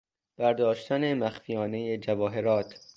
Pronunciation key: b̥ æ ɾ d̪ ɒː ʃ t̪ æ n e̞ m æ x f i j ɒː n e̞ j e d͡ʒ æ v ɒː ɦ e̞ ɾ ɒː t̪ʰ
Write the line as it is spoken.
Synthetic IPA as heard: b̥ æ ɾ d̪ ɒː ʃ t̪ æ n e̞ m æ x f i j ɒː n e̞ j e d͡ʒ æ v ɒː ɦ e̞ ɾ ɒː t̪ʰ